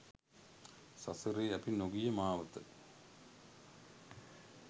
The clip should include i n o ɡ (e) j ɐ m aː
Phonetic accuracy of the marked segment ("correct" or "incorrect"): incorrect